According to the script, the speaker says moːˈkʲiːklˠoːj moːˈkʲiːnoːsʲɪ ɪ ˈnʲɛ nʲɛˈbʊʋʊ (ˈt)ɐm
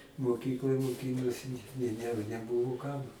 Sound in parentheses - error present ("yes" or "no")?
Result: yes